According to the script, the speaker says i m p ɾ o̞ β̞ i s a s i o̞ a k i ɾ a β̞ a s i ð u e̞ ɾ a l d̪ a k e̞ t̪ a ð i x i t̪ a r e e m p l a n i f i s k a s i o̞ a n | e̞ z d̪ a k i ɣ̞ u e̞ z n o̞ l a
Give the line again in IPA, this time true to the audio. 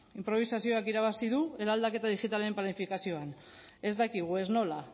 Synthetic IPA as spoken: i m p ɾ o̞ β̞ i s a s i o̞ a k i ɾ a β̞ a s i ð u e̞ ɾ a l d̪ a k e̞ t̪ a ð i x i t̪ a l e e m p l a n i f i k a s i o̞ a n | e̞ z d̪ a k i ɣ̞ u e̞ z n o̞ l a